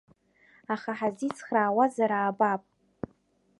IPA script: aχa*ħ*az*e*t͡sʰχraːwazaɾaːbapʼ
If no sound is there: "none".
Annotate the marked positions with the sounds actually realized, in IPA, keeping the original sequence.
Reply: ħ, i

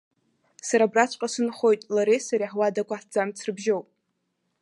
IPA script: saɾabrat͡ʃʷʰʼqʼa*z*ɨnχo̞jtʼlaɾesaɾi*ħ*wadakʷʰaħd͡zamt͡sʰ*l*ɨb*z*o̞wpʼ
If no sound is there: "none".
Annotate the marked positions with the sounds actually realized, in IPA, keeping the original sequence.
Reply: s, ħ, r, ʒ

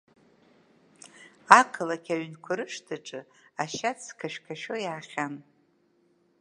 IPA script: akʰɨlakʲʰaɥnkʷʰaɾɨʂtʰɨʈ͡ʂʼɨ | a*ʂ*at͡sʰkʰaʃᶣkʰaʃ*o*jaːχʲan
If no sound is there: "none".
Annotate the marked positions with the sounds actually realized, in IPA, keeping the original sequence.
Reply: ʃ, o

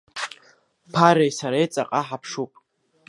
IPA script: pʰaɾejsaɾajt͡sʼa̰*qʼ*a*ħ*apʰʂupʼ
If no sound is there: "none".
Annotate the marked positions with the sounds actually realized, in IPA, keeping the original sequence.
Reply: qʼ, ħ

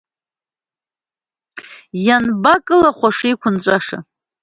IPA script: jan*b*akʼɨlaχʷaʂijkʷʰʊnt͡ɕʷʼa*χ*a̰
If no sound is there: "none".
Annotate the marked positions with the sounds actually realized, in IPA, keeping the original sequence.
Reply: b, ʂ

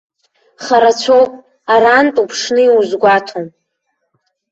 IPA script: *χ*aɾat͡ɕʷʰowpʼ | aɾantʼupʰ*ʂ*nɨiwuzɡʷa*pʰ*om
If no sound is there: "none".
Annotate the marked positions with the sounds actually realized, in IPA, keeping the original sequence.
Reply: χ, ʂ, tʰ

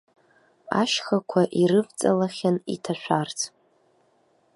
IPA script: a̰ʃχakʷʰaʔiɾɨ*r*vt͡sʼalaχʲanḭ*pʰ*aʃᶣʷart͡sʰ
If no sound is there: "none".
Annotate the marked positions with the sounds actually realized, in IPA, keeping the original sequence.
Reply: none, tʰ

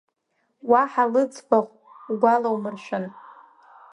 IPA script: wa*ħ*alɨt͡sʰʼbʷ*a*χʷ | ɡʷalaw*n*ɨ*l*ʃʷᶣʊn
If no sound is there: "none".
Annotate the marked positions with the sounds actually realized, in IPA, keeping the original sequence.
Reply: ħ, a, m, r

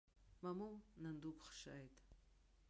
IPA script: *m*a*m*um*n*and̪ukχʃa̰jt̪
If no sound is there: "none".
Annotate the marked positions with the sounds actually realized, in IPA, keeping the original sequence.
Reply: m, m, n

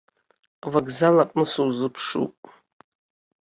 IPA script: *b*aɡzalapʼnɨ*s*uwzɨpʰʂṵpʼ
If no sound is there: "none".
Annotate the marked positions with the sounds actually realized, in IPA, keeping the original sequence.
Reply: v, s

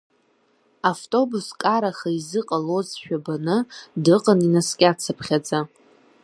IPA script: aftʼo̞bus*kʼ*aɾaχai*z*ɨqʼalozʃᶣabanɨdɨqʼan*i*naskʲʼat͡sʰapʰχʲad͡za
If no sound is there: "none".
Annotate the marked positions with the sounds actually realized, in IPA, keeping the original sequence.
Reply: kʼ, z, i

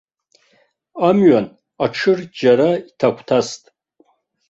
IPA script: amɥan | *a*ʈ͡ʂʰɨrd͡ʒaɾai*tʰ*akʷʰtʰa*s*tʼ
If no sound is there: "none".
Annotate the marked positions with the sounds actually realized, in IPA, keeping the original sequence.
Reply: a, tʰ, s

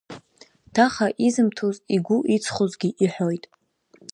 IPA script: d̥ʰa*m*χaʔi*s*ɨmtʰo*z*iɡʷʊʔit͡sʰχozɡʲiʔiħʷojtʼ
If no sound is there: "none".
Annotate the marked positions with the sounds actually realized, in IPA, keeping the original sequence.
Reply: none, z, z

